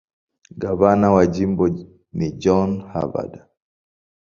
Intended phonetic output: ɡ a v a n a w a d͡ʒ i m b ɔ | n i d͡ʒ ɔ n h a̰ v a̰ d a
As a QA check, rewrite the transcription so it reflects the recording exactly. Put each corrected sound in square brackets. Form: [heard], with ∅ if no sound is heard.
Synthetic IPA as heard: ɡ a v a n a w a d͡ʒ i m b ɔ | n i d͡ʒ ɔ n h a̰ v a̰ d a